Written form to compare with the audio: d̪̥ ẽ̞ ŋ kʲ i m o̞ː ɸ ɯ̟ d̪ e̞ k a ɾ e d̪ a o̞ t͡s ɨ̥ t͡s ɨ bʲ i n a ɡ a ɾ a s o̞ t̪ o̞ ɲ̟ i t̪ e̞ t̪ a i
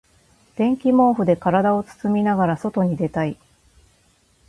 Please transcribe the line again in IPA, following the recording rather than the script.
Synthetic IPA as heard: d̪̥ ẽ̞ ŋ kʲ i m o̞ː ɸ ɯ̟ d̪ e̞ k a ɾ a d̪ a o̞ t͡s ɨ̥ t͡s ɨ mʲ i n a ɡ a ɾ a s o̞ t̪ o̞ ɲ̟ i d̪ e̞ t̪ a i